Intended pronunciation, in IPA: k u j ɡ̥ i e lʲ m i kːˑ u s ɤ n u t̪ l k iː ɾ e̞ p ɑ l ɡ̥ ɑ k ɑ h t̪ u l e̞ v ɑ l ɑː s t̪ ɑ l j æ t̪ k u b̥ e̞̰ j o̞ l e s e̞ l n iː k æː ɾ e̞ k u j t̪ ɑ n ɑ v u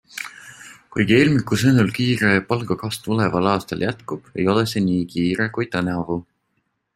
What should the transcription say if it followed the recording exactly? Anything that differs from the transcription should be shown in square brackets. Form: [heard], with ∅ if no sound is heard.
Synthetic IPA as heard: k u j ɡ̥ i e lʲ m i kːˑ u s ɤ n u [∅] l k iː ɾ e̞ p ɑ l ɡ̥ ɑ k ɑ [s] t̪ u l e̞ v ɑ l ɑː s t̪ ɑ l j æ t̪ k u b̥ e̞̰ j o̞ l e s e̞ [∅] n iː k [iː] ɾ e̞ k u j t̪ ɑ n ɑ v u